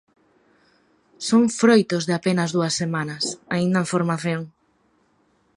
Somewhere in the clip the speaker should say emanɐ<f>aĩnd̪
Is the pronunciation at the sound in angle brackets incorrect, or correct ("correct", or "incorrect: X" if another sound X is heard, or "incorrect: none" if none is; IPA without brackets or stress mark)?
incorrect: s